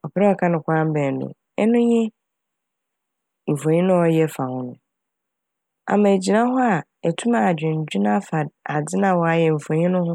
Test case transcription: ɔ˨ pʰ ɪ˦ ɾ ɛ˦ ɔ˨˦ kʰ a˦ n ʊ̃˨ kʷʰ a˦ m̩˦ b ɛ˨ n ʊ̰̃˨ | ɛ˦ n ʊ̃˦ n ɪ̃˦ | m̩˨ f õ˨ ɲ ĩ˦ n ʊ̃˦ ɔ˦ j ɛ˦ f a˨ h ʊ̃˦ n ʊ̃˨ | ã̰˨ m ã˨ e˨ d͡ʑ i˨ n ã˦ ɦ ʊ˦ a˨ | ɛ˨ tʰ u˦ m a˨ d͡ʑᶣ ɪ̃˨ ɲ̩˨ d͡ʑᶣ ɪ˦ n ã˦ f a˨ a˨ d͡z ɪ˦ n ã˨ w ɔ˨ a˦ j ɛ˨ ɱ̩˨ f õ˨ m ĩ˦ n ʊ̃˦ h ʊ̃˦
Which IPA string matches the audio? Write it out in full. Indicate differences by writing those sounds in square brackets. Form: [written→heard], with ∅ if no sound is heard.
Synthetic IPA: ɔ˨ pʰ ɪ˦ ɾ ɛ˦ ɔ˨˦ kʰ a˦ n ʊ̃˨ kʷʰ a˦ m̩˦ b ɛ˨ n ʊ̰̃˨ | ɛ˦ n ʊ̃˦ [n→ɲ] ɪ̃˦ | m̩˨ f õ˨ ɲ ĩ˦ n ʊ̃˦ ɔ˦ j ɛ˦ f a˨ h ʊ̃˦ n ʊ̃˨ | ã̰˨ m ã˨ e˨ d͡ʑ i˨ n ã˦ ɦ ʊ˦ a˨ | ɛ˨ tʰ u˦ m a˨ d͡ʑᶣ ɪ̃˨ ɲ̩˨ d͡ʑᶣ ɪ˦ n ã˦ f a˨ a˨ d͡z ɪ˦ n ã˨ w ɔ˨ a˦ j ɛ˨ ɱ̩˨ f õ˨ [m→ɲ] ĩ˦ n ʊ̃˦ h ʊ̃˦